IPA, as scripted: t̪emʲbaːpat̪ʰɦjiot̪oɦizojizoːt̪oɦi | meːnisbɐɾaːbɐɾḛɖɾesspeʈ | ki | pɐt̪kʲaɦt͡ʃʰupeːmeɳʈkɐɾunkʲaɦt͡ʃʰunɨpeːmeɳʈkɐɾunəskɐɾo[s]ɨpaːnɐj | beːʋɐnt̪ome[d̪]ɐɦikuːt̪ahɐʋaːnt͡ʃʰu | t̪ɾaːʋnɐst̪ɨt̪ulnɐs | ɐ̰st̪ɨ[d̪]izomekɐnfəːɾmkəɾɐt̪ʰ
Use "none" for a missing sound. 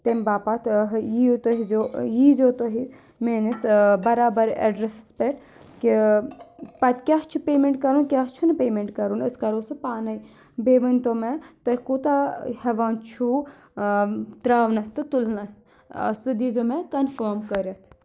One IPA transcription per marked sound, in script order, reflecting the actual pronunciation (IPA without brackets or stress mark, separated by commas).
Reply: s, t̪, d̪